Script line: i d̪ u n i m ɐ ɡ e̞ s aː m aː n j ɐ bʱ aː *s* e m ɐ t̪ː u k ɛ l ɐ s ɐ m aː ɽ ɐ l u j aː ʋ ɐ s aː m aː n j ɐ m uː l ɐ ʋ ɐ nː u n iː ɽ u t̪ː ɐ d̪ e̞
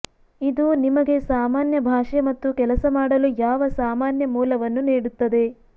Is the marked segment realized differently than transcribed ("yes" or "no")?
yes